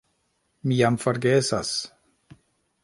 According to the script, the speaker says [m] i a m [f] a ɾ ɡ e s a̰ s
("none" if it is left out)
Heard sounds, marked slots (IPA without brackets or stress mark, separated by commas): m, f